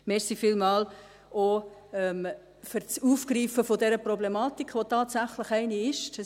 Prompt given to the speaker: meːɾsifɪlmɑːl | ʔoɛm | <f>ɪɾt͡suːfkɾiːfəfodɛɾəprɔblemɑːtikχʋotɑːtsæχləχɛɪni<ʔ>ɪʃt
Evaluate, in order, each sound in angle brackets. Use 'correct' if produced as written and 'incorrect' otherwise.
correct, incorrect: none

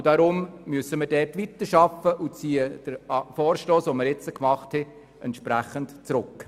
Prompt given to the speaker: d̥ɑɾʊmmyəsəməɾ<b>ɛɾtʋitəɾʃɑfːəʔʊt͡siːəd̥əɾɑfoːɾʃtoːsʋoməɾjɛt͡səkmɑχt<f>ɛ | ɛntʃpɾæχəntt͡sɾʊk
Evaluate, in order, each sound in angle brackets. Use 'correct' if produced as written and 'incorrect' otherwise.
incorrect: d, incorrect: h

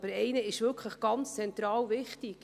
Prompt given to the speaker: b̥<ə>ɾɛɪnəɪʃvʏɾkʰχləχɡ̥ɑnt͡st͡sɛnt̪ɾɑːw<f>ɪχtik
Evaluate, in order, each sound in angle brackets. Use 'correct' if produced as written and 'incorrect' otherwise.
correct, incorrect: v

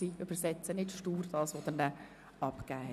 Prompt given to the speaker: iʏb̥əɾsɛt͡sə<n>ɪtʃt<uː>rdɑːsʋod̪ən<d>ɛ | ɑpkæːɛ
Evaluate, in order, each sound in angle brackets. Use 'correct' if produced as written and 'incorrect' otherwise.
correct, correct, incorrect: n

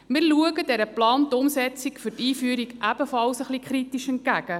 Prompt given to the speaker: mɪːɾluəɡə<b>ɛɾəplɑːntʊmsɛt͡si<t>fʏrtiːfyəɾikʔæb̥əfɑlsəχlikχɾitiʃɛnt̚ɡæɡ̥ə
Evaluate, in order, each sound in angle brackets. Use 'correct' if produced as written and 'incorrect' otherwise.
incorrect: d, incorrect: k

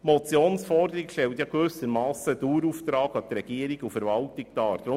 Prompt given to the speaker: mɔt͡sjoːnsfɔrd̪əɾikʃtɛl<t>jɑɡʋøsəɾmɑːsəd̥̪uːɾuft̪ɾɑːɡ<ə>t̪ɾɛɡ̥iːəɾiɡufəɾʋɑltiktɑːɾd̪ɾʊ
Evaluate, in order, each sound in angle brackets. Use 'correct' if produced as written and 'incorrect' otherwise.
correct, incorrect: ɑ

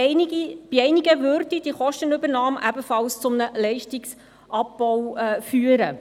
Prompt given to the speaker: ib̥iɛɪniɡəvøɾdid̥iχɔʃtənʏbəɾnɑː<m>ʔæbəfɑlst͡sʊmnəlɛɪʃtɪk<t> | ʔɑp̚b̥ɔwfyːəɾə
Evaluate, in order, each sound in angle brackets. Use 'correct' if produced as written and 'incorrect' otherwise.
correct, incorrect: s

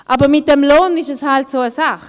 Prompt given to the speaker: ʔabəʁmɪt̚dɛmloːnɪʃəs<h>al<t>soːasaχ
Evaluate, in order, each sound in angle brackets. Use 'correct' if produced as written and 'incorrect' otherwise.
correct, correct

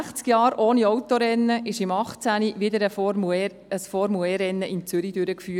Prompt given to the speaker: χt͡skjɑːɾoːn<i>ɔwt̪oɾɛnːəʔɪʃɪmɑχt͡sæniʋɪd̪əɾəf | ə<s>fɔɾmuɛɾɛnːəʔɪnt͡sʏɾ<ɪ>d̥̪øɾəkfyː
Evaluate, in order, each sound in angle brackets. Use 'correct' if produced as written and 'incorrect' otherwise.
correct, correct, incorrect: i

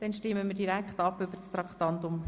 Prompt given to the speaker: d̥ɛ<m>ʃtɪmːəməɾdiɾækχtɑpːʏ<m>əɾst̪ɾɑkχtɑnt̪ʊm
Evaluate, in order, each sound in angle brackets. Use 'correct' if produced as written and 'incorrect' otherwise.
incorrect: n, incorrect: b

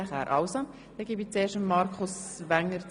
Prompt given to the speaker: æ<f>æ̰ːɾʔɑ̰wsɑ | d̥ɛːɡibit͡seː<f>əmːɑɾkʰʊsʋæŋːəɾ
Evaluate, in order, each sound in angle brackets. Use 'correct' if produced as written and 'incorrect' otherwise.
incorrect: χ, incorrect: ʃ

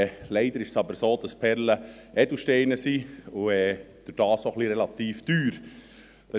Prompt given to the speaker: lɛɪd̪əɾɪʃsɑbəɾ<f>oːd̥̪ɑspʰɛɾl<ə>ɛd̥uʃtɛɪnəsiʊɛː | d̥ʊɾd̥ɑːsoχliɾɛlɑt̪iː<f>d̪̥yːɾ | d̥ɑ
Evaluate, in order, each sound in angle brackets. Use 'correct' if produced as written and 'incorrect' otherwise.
incorrect: s, correct, correct

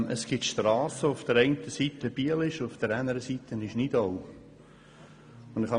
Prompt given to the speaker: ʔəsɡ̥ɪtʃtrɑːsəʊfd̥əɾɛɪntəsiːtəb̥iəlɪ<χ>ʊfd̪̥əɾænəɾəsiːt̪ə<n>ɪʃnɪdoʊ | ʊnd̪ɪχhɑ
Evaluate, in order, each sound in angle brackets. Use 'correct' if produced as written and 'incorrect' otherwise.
incorrect: ʃ, correct

